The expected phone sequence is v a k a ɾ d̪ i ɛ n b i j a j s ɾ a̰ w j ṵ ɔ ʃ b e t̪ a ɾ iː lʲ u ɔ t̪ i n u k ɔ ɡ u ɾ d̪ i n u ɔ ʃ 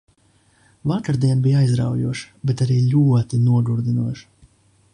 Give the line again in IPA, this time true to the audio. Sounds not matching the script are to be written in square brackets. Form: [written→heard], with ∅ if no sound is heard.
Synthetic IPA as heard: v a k a ɾ d̪ i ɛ n b i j a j [s→z] ɾ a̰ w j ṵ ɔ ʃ b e t̪ a ɾ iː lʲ u ɔ t̪ i n u [k→∅] ɔ ɡ u ɾ d̪ i n u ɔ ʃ